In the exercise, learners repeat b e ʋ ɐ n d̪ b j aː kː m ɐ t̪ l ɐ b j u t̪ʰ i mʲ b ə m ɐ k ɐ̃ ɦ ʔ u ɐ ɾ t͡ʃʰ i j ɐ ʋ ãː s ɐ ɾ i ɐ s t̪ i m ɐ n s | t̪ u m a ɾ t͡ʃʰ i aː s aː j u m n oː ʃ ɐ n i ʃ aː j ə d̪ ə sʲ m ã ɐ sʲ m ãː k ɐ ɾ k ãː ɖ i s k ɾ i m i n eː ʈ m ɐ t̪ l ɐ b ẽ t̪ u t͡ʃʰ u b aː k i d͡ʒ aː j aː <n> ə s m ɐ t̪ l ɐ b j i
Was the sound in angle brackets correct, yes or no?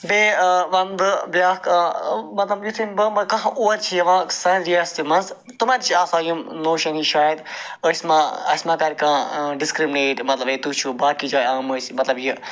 no